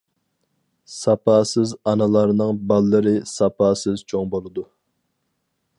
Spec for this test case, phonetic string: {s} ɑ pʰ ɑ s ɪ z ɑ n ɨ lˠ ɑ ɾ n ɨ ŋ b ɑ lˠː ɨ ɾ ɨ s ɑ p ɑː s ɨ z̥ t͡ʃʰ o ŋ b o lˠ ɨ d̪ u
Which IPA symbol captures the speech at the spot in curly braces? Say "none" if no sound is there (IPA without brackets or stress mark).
s